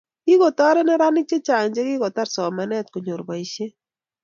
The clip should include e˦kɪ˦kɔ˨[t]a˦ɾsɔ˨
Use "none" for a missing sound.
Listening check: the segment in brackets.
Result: t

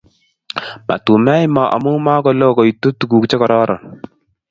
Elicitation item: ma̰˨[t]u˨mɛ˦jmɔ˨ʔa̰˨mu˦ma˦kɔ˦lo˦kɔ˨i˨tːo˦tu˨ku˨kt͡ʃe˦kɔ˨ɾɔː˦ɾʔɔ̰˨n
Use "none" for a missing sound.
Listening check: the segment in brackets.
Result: t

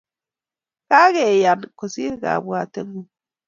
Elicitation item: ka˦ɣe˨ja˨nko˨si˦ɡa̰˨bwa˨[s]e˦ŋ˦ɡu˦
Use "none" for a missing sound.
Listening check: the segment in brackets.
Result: t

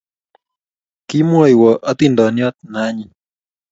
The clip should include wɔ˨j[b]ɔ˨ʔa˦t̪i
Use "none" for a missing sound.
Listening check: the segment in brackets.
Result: w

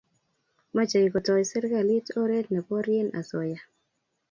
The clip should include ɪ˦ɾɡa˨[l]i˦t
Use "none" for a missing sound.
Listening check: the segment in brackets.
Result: l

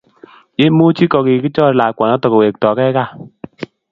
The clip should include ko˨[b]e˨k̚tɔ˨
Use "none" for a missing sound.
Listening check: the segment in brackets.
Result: w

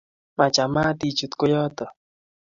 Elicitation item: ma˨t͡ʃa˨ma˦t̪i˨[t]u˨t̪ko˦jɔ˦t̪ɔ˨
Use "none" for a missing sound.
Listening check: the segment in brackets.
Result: t͡ʃ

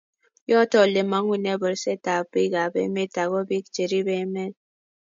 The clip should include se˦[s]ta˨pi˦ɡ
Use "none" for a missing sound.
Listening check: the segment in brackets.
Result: none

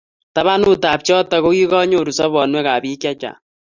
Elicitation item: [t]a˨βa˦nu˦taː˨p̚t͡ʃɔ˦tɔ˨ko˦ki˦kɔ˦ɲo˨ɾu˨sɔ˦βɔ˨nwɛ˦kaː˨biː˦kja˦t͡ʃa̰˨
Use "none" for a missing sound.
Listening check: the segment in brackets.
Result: t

